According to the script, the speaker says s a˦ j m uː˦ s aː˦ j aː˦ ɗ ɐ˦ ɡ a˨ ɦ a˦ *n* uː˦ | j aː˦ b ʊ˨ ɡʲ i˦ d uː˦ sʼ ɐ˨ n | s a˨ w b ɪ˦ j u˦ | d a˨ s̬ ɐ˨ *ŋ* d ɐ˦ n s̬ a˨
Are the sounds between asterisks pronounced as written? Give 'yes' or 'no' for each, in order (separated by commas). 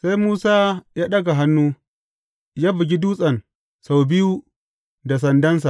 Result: no, no